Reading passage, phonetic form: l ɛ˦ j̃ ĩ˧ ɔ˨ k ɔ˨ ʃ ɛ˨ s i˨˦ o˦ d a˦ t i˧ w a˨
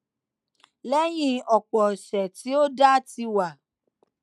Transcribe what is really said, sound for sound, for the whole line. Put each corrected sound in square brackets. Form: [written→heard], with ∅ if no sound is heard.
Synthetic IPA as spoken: l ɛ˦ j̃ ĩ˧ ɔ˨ [k→k͡p] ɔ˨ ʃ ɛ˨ [s→t] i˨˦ o˦ d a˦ t i˧ w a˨